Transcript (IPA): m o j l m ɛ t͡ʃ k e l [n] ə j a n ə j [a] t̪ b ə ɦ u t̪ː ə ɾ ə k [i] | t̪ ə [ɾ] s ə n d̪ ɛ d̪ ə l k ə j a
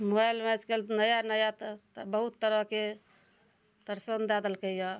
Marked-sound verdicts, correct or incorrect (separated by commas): correct, correct, incorrect, correct